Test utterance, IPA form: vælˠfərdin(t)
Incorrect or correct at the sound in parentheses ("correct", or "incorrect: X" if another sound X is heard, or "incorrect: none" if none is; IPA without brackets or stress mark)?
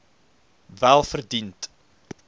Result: correct